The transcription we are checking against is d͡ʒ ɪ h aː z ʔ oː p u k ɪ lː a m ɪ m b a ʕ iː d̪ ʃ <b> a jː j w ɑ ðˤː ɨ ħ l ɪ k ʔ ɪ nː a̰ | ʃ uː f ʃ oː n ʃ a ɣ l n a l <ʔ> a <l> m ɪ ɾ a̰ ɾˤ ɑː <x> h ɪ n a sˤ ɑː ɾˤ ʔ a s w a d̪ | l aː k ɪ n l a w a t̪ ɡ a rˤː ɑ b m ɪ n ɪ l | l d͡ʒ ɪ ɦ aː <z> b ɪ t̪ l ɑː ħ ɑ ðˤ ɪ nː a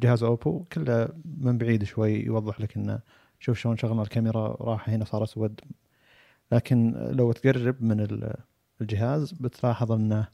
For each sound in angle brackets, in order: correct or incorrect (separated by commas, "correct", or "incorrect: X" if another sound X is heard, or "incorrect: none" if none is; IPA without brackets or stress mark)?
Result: incorrect: w, incorrect: k, incorrect: none, incorrect: ħ, correct